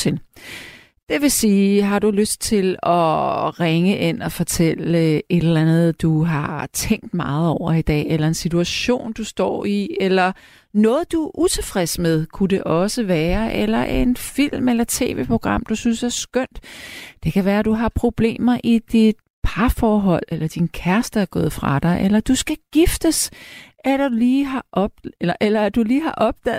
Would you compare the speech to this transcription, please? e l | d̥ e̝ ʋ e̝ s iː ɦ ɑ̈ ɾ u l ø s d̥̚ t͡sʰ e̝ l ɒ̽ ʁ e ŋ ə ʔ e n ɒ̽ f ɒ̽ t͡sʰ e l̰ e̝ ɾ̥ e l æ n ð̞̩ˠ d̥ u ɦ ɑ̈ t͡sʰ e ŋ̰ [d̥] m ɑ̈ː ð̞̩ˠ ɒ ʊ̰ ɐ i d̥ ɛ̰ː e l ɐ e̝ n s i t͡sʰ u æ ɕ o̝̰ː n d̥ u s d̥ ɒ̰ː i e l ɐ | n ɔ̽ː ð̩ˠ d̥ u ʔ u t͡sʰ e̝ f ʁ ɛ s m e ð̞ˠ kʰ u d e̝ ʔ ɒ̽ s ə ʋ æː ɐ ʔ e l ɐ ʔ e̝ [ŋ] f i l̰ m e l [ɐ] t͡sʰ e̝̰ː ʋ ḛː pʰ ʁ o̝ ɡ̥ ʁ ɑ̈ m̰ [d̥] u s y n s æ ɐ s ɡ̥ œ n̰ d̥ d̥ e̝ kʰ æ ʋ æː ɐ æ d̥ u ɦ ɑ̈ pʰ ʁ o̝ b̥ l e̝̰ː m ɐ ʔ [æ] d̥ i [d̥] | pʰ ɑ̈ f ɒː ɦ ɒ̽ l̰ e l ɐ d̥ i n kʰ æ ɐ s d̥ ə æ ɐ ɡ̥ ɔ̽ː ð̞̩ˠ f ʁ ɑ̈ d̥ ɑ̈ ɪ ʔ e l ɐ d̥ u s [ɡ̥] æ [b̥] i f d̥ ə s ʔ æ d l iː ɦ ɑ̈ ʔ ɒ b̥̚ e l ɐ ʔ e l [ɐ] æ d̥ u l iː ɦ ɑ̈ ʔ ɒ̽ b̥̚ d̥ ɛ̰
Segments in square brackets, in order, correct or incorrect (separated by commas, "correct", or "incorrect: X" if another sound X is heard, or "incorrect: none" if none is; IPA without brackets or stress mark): correct, incorrect: n, correct, correct, incorrect: i, correct, correct, incorrect: ɡ̥, correct